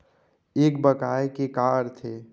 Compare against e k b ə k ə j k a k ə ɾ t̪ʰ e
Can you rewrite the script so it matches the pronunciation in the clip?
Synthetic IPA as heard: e k b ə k a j k e k a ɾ t̪ʰ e